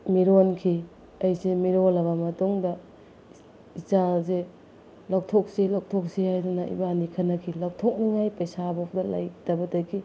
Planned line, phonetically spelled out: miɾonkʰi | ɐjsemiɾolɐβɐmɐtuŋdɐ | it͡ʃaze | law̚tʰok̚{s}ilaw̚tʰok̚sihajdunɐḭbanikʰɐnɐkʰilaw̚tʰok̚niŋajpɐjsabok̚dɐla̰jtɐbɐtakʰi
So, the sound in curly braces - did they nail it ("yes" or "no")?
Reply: yes